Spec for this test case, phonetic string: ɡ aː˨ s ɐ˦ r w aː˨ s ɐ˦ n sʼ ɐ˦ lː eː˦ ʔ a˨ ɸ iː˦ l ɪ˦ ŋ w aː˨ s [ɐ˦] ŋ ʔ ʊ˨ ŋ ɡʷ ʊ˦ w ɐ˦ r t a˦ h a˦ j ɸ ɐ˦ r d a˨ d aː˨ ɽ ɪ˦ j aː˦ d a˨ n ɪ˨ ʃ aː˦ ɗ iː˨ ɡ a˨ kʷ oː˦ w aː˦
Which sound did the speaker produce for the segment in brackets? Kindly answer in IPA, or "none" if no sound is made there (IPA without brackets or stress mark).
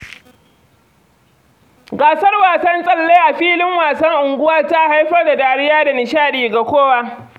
ɐ˦